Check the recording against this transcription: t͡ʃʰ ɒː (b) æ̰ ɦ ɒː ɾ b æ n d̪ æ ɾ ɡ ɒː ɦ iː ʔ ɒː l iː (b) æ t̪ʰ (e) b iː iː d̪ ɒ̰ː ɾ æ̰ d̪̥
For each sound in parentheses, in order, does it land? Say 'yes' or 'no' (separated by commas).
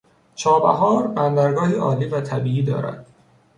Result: yes, no, no